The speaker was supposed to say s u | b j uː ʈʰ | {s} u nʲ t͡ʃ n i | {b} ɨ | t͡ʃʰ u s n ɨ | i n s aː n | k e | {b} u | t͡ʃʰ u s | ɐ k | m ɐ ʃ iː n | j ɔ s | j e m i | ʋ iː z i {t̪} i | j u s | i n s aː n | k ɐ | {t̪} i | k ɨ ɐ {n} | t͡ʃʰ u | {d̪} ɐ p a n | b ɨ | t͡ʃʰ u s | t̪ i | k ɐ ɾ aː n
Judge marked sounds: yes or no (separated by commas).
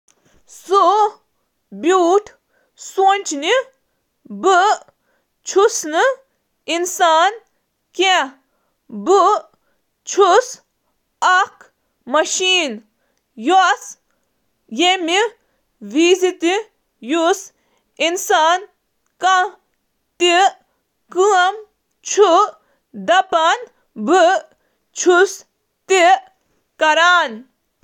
yes, yes, yes, yes, yes, no, yes